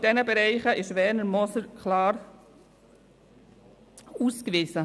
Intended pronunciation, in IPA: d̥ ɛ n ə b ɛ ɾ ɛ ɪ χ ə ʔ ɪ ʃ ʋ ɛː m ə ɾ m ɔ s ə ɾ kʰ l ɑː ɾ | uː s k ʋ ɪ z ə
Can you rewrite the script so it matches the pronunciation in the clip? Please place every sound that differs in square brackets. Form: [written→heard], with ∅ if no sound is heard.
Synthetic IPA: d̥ ɛ n ə b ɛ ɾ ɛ ɪ χ ə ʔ ɪ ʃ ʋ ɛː [m→n] ə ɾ m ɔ s ə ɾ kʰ l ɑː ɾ | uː s k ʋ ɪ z ə